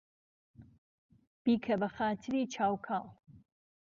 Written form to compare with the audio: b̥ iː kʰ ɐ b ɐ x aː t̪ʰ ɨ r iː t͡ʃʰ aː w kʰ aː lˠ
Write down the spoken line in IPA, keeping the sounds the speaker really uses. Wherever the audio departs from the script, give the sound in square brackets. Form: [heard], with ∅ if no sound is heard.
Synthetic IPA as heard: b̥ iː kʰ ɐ b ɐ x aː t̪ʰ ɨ [ɾ] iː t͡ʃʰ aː w kʰ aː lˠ